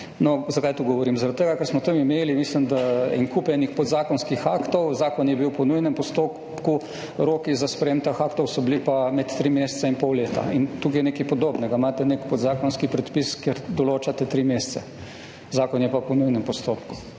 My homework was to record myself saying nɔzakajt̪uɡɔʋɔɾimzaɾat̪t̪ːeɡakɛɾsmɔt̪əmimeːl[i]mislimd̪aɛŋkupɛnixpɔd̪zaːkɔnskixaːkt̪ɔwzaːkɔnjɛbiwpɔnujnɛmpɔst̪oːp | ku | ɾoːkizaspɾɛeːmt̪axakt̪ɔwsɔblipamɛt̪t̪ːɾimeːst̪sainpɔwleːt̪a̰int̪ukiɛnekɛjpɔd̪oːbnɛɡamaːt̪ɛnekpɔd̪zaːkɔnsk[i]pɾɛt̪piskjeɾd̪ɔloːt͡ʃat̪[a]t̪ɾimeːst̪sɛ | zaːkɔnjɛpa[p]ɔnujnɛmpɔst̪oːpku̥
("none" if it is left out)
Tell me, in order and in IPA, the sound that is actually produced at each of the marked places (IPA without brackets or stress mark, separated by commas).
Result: i, i, ɛ, p